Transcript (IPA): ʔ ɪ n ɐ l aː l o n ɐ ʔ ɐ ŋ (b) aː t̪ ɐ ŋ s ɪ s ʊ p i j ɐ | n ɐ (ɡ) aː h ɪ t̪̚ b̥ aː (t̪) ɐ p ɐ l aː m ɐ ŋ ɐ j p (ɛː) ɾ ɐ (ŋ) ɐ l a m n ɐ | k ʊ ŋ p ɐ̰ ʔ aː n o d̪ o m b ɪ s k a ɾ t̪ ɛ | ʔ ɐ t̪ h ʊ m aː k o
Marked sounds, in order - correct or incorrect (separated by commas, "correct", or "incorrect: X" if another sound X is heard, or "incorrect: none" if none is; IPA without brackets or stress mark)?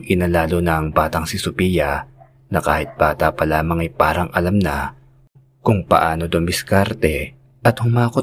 correct, incorrect: k, correct, incorrect: aː, correct